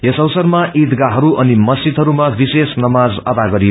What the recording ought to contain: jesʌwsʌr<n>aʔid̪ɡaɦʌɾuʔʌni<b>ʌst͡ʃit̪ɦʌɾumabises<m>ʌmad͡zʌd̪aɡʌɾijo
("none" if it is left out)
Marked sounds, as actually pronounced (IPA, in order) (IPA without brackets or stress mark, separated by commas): m, m, n